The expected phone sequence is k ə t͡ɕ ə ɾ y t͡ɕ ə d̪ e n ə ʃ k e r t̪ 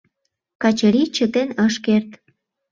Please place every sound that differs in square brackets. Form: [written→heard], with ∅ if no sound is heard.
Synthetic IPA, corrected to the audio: k [ə→ɑ] t͡ɕ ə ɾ [y→i] t͡ɕ ə [d̪→t̪] e n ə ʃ k e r t̪